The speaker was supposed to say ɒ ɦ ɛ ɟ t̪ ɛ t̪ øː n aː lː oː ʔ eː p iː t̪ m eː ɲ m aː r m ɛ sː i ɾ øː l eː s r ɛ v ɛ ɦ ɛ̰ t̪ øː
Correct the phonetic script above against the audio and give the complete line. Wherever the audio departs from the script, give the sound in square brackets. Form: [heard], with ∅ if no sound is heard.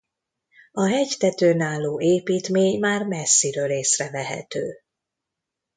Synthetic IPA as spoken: ɒ ɦ ɛ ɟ t̪ ɛ t̪ øː n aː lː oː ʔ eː p iː t̪ m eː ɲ m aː r m ɛ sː i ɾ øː l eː s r ɛ v ɛ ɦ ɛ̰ t̪ øː

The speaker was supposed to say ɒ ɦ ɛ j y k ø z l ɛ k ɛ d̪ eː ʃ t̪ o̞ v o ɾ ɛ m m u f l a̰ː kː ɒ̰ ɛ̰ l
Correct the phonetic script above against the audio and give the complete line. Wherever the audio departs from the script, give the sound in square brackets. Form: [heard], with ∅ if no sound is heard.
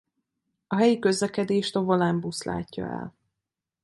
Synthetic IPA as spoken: ɒ ɦ ɛ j [i] k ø z l ɛ k ɛ d̪ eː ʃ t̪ o̞ v o [l] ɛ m [b] u [s] l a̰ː [cː] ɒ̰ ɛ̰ l

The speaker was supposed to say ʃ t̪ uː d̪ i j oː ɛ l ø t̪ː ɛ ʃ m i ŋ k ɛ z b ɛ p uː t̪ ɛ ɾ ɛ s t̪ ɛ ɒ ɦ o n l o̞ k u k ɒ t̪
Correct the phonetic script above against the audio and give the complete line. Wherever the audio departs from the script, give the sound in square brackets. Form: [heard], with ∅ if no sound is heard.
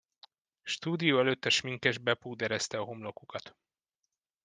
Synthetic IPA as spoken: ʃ t̪ uː d̪ i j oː ɛ l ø t̪ː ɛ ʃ m i ŋ k ɛ [ʒ] b ɛ p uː [d̪] ɛ ɾ ɛ s t̪ ɛ ɒ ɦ o [m] l o̞ k u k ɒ t̪

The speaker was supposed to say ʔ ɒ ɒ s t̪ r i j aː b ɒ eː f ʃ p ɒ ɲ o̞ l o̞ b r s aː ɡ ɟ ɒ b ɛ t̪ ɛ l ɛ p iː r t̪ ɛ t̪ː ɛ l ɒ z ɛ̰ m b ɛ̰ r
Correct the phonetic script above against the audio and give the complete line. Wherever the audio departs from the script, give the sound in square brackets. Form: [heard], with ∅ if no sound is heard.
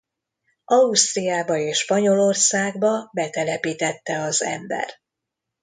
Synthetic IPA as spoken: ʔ ɒ [u] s t̪ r i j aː b ɒ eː [ʃ] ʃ p ɒ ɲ o̞ l o̞ [∅] r s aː ɡ [b] ɒ b ɛ t̪ ɛ l ɛ p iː [∅] t̪ ɛ t̪ː ɛ [∅] ɒ z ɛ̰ m b ɛ̰ r

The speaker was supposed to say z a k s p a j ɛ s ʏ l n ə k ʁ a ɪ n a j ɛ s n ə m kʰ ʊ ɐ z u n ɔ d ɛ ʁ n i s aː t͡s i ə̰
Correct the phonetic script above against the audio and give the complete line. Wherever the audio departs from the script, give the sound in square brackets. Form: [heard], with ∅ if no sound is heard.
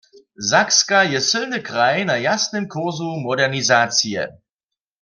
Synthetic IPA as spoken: z a k s [k] a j ɛ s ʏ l n ə k ʁ a ɪ n a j [a] s n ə m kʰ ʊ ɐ z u [m] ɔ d ɛ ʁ n i [z] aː t͡s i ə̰

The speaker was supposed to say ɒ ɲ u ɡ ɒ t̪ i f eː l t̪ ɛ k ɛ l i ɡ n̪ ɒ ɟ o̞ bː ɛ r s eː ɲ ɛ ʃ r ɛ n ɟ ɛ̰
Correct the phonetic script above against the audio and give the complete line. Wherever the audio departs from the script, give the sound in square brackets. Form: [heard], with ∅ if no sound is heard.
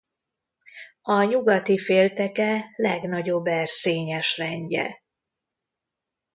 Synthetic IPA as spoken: ɒ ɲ u ɡ ɒ t̪ i f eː l t̪ ɛ k ɛ l [ɛ] ɡ n̪ ɒ ɟ o̞ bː ɛ r s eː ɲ ɛ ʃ r ɛ [ɲ] ɟ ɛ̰

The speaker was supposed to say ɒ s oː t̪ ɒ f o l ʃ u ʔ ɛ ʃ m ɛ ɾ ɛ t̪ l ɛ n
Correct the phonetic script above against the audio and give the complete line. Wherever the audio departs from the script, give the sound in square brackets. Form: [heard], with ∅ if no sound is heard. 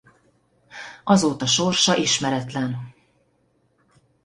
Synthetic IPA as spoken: ɒ [z] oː t̪ ɒ [ʃ] o [r] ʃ [ɒ] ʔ [i] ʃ m ɛ ɾ ɛ t̪ l ɛ n

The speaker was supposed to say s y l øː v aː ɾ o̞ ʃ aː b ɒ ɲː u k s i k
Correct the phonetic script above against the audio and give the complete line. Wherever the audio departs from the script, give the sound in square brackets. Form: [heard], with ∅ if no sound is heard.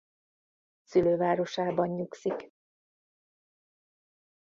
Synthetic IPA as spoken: s y l øː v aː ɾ o̞ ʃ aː b ɒ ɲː u k s i k

